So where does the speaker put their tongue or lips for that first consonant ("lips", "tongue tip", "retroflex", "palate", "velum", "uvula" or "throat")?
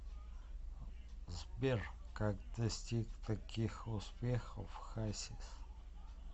tongue tip